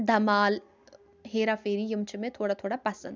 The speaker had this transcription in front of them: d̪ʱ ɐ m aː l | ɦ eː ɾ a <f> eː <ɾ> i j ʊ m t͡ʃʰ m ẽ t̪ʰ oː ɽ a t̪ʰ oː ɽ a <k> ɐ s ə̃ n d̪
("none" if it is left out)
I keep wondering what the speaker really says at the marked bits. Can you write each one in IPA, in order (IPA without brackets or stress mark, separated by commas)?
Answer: f, ɾ, p